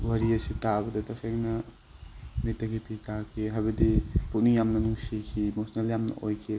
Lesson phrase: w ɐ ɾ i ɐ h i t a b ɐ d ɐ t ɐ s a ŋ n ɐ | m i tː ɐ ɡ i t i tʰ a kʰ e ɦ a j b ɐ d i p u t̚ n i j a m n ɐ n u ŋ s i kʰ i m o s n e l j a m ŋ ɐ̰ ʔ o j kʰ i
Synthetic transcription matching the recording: w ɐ ɾ i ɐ s i t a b ɐ d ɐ t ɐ s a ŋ n ɐ | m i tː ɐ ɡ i p i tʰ a kʰ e ɦ a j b ɐ d i p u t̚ n i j a m n ɐ n u ŋ s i kʰ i m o s n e l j a m n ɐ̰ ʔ o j kʰ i